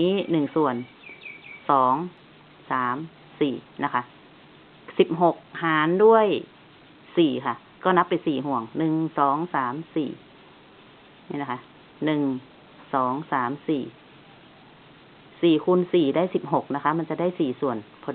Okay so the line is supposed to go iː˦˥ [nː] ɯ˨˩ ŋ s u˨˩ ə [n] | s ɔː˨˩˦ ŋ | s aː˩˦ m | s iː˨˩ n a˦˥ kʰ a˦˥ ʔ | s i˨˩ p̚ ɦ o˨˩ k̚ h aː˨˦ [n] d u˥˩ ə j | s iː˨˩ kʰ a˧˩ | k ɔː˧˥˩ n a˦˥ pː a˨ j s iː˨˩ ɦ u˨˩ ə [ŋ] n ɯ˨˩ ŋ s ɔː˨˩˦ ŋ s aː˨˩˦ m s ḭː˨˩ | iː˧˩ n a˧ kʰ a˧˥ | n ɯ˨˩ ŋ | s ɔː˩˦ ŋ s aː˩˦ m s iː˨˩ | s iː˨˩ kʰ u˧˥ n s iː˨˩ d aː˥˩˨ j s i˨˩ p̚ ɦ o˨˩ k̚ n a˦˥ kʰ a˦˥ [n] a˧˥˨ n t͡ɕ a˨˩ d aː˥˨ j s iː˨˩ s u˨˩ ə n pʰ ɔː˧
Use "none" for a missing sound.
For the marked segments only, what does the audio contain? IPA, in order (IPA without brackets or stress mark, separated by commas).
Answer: n, n, n, ŋ, m